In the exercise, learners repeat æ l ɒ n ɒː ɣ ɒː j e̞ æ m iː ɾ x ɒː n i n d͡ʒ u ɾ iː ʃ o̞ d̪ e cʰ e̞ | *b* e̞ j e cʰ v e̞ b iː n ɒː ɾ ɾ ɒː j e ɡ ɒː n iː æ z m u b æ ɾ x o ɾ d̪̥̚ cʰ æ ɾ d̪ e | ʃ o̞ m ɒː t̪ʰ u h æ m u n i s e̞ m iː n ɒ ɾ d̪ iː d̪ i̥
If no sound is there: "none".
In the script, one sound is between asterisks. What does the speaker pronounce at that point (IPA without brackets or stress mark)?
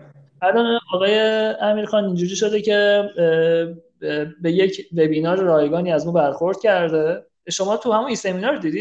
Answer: b